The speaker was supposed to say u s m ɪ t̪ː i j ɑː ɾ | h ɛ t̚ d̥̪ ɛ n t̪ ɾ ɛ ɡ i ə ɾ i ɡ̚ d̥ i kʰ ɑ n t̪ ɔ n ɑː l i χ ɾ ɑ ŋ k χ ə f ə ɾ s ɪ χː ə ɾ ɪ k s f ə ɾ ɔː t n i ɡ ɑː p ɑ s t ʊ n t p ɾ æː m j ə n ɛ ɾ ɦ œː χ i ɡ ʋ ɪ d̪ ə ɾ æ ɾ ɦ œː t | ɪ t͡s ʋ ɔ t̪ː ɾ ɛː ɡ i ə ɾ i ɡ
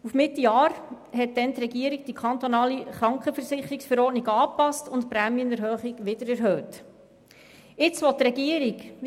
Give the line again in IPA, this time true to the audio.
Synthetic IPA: u f m ɪ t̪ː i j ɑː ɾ | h ɛ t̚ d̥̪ ɛ n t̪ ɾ ɛ ɡ i ə ɾ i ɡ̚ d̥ i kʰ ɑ n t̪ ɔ n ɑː l i χ ɾ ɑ ŋ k χ ə f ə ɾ s ɪ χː ə ɾ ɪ k s f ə ɾ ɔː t n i ɡ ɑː p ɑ s t ʊ n t p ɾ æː m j ə n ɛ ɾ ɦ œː χ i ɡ ʋ ɪ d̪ ə ɾ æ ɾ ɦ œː t | ɪ t͡s ʋ ɔ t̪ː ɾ ɛ ɡ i ə ɾ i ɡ

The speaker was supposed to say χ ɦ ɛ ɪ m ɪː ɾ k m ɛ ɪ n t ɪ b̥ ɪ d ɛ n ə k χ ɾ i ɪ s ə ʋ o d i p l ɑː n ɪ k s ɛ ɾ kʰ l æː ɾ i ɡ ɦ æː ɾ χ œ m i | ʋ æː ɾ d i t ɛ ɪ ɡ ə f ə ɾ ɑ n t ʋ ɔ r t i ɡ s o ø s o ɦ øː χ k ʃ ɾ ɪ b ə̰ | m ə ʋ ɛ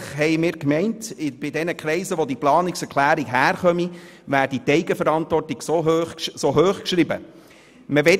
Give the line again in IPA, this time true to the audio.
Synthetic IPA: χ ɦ ɛ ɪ m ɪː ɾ k m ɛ ɪ n t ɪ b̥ ɪ d ɛ n ə k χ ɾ ɛ ɪ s ə ʋ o d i p l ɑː n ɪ k s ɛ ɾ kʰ l æː ɾ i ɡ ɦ æː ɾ χ œ m i | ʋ æː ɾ d i t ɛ ɪ ɡ ə f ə ɾ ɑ n t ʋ ɔ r t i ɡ s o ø s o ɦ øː χ k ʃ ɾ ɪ b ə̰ | m ə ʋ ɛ

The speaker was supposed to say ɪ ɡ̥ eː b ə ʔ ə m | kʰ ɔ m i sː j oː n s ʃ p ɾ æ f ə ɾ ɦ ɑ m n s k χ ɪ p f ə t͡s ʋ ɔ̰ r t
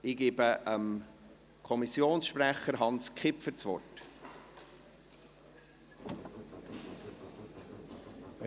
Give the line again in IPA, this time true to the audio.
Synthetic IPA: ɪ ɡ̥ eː b ə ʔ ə m | kʰ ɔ m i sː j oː n s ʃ p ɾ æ χ ə ɾ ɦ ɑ n s k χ ɪ p f ə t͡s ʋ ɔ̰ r t

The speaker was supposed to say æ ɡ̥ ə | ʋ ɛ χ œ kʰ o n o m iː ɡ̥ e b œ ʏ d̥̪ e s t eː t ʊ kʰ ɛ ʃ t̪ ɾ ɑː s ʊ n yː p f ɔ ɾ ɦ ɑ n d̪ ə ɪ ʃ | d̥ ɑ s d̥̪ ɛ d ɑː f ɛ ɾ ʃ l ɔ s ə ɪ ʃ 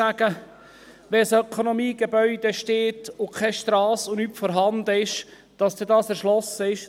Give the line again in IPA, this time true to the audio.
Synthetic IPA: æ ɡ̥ ə | ʋ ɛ s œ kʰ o n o m iː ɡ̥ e b œ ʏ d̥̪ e ʃ t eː t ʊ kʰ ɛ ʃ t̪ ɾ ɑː s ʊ n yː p f ɔ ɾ ɦ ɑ n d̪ ə ɪ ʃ | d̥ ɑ s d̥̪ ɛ d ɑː s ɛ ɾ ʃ l ɔ s ə ɪ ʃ

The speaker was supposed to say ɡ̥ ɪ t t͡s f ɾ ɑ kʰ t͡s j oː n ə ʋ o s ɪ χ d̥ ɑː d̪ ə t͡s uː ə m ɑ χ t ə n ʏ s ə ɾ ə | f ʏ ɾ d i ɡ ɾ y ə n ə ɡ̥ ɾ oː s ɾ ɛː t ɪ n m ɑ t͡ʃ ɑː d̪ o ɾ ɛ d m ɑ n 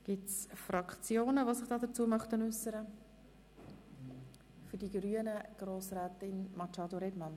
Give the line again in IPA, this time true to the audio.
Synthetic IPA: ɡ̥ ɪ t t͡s f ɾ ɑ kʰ t͡s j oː n ə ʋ o s ɪ χ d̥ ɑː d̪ ə t͡s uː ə m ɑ χ t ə n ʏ s ə ɾ ə | f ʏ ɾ d i ɡ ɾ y ə n ə ɡ̥ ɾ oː s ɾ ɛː t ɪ n m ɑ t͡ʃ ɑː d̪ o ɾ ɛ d m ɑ n

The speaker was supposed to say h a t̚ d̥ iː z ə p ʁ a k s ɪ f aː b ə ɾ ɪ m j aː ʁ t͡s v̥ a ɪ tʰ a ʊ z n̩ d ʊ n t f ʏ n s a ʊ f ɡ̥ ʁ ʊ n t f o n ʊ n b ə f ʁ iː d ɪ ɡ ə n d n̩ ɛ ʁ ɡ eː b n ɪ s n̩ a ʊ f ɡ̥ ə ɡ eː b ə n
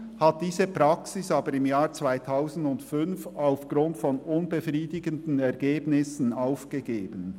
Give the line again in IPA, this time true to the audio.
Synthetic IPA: h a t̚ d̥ iː z ə p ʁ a k s ɪ s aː b ə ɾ ɪ m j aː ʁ t͡s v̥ a ɪ tʰ a ʊ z n̩ d ʊ n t f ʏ n f a ʊ f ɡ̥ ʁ ʊ n t f ɔ n ʊ n b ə f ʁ iː d ɪ ɡ ə n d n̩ ɛ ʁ ɡ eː b n ɪ s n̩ a ʊ f ɡ̥ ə ɡ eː b ə n

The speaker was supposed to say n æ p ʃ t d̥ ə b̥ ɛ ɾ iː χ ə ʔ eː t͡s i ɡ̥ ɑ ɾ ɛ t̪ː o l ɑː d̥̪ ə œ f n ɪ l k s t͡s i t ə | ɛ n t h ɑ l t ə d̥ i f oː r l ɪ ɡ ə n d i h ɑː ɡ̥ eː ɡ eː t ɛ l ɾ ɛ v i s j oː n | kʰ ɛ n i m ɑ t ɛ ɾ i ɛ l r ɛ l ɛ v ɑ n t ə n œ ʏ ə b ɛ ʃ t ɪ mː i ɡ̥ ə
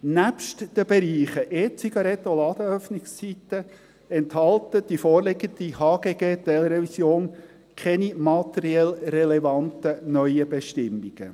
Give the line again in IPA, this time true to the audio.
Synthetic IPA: n æ p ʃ t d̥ ə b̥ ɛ ɾ iː χ ə ʔ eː t͡s i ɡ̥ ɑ ɾ ɛ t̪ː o l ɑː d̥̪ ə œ f n ɪ k s t͡s i t ə | ɛ n t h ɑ l t ə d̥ i f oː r l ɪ ɡ ə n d i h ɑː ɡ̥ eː ɡ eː t ɛ l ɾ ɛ v i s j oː n | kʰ ɛ n i m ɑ t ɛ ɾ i ɛ l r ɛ l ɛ v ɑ n t ə n œ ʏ ə b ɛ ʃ t ɪ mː i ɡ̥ ə

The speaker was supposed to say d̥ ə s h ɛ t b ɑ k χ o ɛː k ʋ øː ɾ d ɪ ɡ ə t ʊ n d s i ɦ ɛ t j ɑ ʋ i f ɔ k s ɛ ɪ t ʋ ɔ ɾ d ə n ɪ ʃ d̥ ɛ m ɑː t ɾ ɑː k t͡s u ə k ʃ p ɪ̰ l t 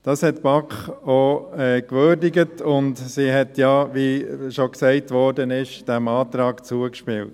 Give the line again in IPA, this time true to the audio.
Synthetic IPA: d̥ ɑ s h ɛ t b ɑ k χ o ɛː k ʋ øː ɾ d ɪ ɡ ə t ʊ n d s i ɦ ɛ t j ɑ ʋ i ʃ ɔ k s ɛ ɪ t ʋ ɔ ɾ d ə n ɪ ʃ d̥ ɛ m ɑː t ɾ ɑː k t͡s u ə k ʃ p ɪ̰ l t

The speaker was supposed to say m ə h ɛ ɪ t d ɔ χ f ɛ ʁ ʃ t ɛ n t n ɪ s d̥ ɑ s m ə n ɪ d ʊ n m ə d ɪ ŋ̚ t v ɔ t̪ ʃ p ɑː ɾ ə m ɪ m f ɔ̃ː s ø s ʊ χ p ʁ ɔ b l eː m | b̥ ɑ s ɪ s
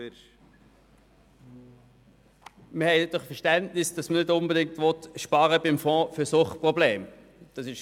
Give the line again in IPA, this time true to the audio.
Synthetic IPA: m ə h ɛ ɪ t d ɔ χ f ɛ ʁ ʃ t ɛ n t n ɪ s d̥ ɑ s m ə n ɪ d ʊ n b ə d ɪ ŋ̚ t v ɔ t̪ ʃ p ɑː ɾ ə b ɪ m f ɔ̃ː f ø s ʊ χ p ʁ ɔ b l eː m | d̥ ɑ s ɪ ʃ

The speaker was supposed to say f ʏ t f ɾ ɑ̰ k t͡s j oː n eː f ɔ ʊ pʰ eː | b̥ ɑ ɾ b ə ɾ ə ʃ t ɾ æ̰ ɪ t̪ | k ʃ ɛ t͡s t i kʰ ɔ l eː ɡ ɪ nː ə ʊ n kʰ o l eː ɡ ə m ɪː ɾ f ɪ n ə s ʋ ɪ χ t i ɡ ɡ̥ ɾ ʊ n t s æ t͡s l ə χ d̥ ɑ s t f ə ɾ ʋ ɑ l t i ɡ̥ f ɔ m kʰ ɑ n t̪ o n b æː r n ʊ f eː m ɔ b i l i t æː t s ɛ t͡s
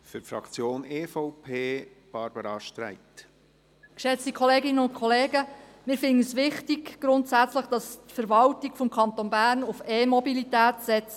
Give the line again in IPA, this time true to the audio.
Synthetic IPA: f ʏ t f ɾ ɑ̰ k t͡s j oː n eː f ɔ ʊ pʰ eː | b̥ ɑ ɾ b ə ɾ ɑ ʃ t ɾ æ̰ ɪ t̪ | k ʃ ɛ t͡s t i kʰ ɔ l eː ɡ ɪ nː ə ʊ n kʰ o l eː ɡ ə m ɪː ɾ f ɪ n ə s ʋ ɪ χ t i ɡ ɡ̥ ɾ ʊ n t s æ t͡s l ə χ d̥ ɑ s t f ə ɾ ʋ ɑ l t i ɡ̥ f ɔ m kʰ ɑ n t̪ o n b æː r n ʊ f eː m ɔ b i l i t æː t s ɛ t͡s

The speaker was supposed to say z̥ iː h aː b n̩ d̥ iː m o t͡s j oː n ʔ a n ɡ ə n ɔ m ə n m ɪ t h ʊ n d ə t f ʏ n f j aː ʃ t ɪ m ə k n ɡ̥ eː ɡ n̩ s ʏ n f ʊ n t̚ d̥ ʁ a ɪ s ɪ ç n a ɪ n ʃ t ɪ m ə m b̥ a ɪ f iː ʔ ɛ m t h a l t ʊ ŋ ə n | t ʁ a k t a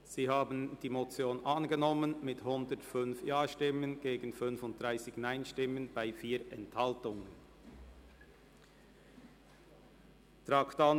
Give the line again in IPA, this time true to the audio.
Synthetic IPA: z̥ iː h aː b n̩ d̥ iː m o t͡s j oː n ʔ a n ɡ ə n ɔ m ə n m ɪ t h ʊ n d ə t f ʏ n f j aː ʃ t ɪ m ə n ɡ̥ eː ɡ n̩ f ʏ n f ʊ n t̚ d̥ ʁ a ɪ s ɪ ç n a ɪ n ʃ t ɪ m ə n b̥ a ɪ f iː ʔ ɛ n t h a l t ʊ ŋ ə n | t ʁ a k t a

